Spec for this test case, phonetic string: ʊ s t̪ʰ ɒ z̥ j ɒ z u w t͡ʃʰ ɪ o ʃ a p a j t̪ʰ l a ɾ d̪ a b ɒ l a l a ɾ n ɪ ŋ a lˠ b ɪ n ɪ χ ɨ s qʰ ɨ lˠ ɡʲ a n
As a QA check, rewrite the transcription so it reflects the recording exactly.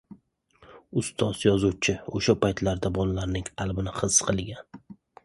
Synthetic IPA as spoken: ʊ s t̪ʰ ɒ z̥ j ɒ z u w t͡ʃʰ ɪ o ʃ a p a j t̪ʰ l a ɾ d̪ a b ɒ l a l a ɾ n ɪ ŋ a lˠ b ɪ n ɪ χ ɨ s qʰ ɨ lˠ ɡʲ a n